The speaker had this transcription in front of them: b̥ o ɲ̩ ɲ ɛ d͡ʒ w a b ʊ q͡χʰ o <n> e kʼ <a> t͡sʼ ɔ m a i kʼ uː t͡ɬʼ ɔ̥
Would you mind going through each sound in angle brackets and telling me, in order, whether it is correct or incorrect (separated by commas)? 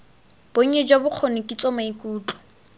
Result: correct, incorrect